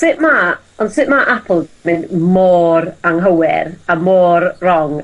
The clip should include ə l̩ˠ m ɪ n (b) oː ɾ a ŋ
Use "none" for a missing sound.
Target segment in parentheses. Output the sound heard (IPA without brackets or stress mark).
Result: m